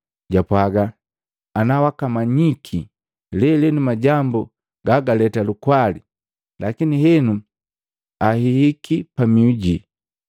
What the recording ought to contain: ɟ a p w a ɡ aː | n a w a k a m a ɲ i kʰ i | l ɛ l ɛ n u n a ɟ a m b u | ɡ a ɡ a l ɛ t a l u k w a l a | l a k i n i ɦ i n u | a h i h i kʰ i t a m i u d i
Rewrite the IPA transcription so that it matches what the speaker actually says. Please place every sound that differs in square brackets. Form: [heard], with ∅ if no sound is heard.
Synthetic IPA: ɟ a p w a ɡ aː | n a w a k a m a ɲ i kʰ i | l ɛ l ɛ n u [m] a ɟ a m b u | ɡ a ɡ a l ɛ t a l u k w a l [i] | l a k i n i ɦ [ɛ] n u | a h i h i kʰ i [p] a m i u [ɟ] i